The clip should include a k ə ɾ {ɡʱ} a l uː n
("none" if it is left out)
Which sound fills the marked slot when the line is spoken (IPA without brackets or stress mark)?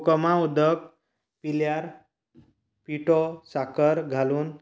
ɡʱ